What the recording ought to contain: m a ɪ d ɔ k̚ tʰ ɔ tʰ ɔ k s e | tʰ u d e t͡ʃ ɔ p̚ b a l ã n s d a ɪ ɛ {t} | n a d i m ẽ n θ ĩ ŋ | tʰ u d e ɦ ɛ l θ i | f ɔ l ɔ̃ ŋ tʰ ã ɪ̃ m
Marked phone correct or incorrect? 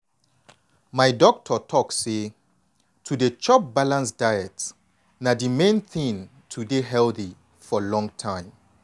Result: correct